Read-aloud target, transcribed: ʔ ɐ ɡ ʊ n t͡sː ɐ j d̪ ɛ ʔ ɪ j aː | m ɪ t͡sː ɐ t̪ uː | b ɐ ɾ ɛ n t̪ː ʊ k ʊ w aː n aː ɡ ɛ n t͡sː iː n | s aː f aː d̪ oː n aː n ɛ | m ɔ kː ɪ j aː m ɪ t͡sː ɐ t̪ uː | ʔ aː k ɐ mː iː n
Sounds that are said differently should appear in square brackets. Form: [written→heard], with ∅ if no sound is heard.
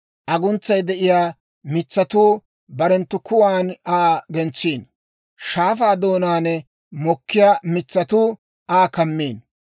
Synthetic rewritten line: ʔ ɐ ɡ ʊ n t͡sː ɐ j d̪ ɛ ʔ ɪ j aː | m ɪ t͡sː ɐ t̪ uː | b ɐ ɾ ɛ n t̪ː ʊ k ʊ w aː n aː ɡ ɛ n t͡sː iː n | [s→ʃ] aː f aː d̪ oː n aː n ɛ | m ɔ kː ɪ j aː m ɪ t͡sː ɐ t̪ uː | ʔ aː k ɐ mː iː n

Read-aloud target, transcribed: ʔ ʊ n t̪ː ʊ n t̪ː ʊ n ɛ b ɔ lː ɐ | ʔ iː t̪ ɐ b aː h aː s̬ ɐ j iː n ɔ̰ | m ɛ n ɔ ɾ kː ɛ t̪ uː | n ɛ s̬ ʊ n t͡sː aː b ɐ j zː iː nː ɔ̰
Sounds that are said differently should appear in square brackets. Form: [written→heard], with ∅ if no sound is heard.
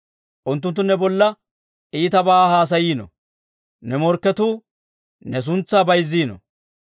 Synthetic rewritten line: ʔ ʊ n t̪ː ʊ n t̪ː ʊ n ɛ b ɔ lː ɐ | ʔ iː t̪ ɐ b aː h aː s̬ ɐ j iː n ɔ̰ | [m→n] ɛ [n→m] ɔ ɾ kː ɛ t̪ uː | n ɛ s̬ ʊ n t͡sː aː b ɐ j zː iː [nː→n] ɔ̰

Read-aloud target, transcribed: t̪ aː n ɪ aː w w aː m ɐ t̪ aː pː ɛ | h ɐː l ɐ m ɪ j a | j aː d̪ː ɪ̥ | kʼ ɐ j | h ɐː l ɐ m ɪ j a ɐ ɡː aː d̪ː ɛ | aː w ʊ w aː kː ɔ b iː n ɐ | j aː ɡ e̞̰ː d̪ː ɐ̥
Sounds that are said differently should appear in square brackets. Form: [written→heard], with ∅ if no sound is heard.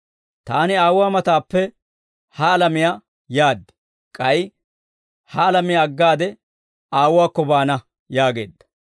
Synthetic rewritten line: t̪ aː n ɪ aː w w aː m ɐ t̪ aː pː ɛ | h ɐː l ɐ m ɪ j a | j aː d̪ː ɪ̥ | kʼ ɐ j | h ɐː l ɐ m ɪ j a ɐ ɡː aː [d̪ː→d̪] ɛ | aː w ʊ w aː kː ɔ b [iː→aː] n ɐ | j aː ɡ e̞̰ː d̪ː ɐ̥

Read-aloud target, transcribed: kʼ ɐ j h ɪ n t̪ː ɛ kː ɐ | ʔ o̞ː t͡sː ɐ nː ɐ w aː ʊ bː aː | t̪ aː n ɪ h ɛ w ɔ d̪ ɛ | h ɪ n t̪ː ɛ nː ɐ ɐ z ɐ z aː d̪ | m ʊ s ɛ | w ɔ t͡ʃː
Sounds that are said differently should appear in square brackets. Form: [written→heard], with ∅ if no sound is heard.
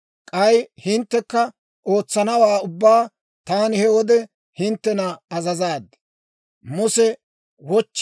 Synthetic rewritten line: kʼ ɐ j h ɪ n t̪ː ɛ kː ɐ | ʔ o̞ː t͡sː ɐ [nː→n] ɐ w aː ʊ bː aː | t̪ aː n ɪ h ɛ w ɔ d̪ ɛ | h ɪ n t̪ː ɛ [nː→n] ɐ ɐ z ɐ z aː d̪ | m ʊ s ɛ | w ɔ t͡ʃː

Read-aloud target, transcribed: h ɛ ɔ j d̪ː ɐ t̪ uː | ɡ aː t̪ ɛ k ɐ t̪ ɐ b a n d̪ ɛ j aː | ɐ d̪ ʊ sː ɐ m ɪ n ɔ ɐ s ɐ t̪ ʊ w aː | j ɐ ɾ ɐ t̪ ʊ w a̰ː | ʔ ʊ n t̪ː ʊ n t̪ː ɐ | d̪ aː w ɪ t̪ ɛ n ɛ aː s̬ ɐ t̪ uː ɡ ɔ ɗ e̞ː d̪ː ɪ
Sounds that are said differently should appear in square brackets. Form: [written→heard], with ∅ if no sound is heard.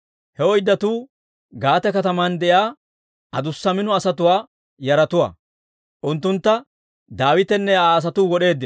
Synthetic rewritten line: h ɛ ɔ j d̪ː ɐ t̪ uː | ɡ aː t̪ ɛ k ɐ t̪ ɐ [b→m] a n d̪ ɛ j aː | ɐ d̪ ʊ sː ɐ m ɪ n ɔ ɐ s ɐ t̪ ʊ w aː | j ɐ ɾ ɐ t̪ ʊ w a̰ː | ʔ ʊ n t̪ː ʊ n t̪ː ɐ | d̪ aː w ɪ t̪ ɛ [n→nː] ɛ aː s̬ ɐ t̪ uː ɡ ɔ ɗ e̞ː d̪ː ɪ

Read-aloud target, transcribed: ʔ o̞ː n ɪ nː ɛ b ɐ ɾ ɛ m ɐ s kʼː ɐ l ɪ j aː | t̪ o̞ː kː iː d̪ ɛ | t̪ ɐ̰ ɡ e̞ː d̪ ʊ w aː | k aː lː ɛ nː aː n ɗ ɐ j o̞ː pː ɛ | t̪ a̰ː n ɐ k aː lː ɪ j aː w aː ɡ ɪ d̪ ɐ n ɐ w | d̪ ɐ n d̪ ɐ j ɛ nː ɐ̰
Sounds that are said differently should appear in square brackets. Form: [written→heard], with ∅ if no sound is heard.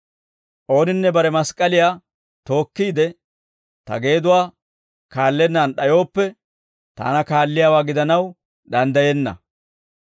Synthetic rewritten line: ʔ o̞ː n ɪ nː ɛ b ɐ ɾ ɛ m ɐ s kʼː ɐ l ɪ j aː | t̪ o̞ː kː iː d̪ ɛ | t̪ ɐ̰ ɡ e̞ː d̪ ʊ w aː | k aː lː ɛ nː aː n ɗ ɐ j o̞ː pː ɛ | t̪ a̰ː n ɐ k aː lː ɪ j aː w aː ɡ ɪ d̪ ɐ n ɐ w | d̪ ɐ n d̪ ɐ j ɛ nː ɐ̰

